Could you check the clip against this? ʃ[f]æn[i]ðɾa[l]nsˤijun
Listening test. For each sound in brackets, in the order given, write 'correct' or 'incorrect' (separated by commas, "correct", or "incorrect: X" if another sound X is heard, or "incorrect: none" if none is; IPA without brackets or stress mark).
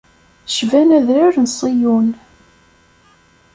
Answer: incorrect: v, incorrect: æ, incorrect: ɾ